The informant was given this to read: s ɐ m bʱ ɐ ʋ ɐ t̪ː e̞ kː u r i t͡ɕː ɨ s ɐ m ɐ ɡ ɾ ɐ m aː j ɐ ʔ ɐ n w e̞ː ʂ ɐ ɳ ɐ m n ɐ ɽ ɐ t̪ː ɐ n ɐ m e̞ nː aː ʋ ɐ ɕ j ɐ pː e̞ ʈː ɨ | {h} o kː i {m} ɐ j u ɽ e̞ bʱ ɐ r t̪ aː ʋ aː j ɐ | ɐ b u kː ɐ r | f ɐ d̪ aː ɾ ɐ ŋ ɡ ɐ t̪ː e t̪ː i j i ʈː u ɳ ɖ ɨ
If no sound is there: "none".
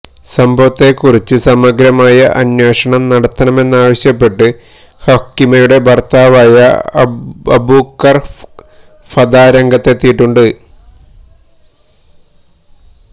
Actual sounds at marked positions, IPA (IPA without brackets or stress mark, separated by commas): h, m